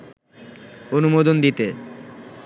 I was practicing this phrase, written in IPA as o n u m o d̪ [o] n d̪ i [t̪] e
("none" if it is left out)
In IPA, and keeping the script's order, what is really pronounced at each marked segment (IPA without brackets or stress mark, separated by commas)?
o, t̪